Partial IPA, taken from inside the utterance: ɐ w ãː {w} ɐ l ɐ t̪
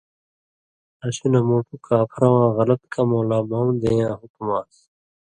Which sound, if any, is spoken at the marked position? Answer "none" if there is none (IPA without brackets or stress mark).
ɣ